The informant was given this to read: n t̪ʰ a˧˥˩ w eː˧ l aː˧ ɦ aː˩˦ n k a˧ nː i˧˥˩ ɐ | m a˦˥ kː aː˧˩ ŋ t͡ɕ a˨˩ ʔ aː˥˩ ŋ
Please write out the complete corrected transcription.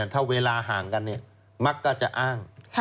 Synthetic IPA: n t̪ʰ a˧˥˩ w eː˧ l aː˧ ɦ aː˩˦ ŋ k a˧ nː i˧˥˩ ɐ | m a˦˥ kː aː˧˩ t͡ɕ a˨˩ ʔ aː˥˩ ŋ